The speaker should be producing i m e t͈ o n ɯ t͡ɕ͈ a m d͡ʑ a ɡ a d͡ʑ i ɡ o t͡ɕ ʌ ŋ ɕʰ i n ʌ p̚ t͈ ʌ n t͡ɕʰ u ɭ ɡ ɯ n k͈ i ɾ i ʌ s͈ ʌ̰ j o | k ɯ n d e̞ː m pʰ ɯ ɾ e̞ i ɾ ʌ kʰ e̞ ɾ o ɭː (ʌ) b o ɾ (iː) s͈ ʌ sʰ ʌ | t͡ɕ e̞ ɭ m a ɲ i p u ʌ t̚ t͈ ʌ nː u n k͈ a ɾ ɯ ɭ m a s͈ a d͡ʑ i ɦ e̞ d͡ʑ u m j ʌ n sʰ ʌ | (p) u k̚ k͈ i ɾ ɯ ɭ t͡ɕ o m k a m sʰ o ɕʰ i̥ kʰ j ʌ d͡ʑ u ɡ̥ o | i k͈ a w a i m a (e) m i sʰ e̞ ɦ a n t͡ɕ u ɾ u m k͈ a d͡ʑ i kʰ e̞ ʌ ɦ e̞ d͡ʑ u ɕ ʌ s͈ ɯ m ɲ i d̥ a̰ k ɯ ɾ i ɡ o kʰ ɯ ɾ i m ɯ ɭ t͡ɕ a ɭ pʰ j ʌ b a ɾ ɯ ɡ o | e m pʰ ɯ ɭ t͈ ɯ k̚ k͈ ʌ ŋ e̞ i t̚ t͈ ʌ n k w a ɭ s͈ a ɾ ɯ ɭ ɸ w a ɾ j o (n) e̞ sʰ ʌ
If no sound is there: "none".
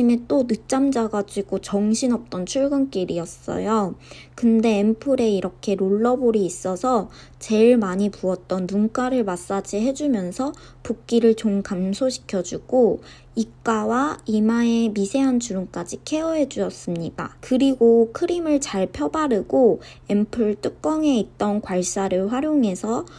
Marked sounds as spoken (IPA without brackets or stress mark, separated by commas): ʌ, iː, p, e, ŋ